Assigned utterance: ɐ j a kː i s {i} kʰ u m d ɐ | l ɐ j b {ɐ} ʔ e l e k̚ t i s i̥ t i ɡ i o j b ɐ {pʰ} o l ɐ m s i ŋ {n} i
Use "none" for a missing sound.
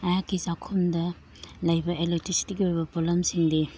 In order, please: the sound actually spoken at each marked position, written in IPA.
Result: a, ɐ, p, d

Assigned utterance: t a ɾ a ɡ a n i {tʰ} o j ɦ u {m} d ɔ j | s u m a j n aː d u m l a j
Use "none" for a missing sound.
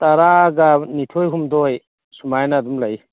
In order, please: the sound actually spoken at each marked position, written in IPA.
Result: tʰ, m

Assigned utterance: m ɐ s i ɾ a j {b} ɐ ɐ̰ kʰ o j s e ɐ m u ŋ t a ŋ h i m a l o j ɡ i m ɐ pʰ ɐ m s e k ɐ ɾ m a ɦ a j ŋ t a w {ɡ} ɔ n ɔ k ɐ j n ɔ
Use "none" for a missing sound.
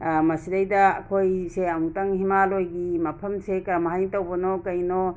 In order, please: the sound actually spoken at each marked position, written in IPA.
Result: d, b

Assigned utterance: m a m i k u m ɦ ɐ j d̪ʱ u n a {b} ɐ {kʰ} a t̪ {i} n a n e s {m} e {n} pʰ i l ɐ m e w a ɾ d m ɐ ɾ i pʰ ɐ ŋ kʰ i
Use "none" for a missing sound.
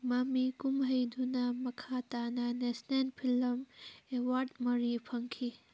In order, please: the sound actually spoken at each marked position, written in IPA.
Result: m, kʰ, a, n, n

